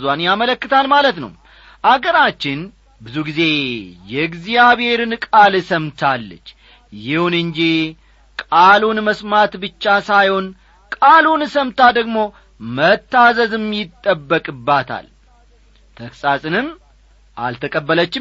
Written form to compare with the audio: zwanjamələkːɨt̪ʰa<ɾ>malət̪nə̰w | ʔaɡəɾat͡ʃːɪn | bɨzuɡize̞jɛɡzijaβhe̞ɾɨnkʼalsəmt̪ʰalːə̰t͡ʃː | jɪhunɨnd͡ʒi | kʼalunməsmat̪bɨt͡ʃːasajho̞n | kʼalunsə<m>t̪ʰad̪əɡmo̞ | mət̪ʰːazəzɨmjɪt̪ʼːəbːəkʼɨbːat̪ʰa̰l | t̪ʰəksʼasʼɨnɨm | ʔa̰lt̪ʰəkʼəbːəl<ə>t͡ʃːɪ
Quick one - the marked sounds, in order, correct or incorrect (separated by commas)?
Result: incorrect, correct, correct